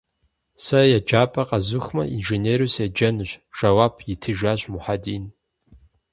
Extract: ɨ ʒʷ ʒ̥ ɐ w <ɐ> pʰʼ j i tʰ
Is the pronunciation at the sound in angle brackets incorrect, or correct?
incorrect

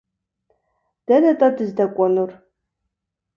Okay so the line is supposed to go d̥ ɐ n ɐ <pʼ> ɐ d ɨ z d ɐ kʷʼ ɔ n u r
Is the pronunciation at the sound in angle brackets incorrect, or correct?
incorrect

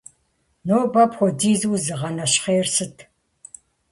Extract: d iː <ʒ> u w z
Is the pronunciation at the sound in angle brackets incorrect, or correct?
incorrect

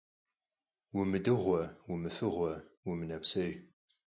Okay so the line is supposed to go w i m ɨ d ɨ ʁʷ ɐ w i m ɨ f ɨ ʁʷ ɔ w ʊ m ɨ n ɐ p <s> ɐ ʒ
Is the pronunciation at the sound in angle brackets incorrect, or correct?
correct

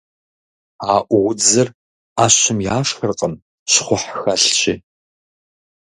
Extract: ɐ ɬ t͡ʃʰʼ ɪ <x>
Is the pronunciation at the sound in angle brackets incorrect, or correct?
incorrect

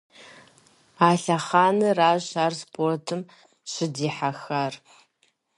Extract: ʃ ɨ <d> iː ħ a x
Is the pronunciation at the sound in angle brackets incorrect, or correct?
correct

